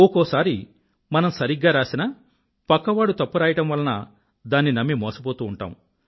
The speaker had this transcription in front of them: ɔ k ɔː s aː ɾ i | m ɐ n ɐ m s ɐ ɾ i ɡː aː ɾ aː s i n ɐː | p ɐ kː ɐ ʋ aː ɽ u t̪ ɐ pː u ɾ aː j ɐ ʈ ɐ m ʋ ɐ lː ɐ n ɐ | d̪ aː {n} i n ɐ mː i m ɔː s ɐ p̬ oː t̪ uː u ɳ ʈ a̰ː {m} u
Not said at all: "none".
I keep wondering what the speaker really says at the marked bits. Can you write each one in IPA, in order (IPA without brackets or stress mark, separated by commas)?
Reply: nː, m